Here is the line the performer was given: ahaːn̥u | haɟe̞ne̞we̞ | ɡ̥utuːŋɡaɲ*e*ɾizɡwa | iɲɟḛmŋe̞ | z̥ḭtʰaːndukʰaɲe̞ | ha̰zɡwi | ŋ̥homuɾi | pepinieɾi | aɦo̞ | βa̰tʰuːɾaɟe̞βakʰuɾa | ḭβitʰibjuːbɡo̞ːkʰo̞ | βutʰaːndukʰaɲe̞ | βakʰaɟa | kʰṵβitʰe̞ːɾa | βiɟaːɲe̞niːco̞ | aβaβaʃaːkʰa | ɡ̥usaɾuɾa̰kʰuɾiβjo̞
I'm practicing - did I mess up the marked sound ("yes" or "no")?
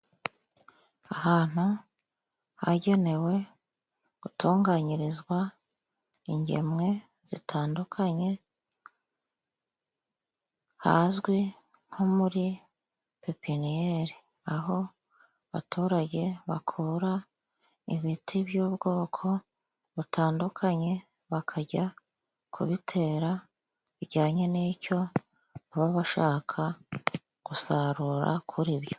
yes